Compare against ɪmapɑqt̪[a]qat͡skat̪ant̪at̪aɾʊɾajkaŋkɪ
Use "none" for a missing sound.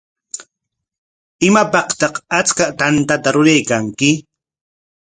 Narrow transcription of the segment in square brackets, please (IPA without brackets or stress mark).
ɑ